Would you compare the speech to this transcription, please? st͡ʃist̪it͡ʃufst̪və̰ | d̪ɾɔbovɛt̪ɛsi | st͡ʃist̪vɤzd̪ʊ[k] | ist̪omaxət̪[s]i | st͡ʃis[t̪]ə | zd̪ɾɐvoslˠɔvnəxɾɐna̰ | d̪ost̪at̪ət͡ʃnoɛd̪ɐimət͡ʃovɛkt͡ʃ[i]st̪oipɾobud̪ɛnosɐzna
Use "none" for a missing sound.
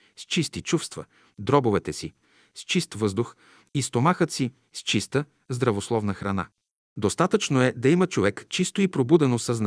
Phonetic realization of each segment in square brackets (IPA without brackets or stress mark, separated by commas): x, s, t̪, i